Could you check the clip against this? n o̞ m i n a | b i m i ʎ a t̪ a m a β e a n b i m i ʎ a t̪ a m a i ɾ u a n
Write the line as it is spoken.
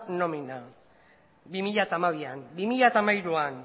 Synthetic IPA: n o̞ m i n a | b i m i ʎ a t̪ a m a β i a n b i m i ʎ a t̪ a m a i ɾ u a n